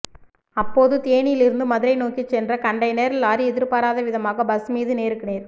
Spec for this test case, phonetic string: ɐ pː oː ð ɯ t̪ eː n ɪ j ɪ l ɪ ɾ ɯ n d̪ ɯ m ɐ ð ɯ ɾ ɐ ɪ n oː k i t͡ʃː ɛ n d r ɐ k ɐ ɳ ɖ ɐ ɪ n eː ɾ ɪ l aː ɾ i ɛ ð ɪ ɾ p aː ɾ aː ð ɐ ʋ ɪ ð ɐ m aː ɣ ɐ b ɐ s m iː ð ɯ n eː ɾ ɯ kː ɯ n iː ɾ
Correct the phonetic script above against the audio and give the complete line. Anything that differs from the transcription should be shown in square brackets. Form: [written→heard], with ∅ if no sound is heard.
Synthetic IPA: ɐ pː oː ð ɯ t̪ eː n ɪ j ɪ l ɪ ɾ ɯ n d̪ ɯ m ɐ ð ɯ ɾ ɐ ɪ n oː k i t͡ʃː ɛ n d r ɐ k ɐ ɳ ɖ ɐ ɪ n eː ɾ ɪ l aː ɾ i ɛ ð ɪ ɾ p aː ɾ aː ð ɐ ʋ ɪ ð ɐ m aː ɣ ɐ b ɐ s m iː ð ɯ n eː ɾ ɯ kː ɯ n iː ɾ